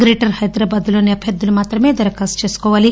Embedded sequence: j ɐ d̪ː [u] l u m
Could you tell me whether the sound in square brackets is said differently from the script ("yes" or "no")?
no